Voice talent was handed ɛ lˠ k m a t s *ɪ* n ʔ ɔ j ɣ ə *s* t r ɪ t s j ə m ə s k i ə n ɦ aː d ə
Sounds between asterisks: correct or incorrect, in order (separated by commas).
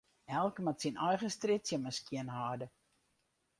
incorrect, correct